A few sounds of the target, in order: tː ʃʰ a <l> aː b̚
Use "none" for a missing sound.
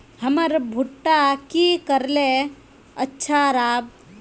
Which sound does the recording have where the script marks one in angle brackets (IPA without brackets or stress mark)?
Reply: ɾ